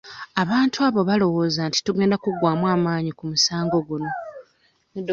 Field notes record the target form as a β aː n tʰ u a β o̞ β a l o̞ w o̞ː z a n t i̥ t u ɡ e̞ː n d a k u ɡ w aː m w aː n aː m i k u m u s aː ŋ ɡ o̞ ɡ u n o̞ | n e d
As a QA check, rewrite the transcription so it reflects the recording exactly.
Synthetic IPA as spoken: a β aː n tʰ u a β o̞ β a l o̞ w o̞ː z a n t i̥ t u ɡ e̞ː n d a k u ɡ w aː m w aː m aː ɲ i k u m u s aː ŋ ɡ o̞ ɡ u n o̞ | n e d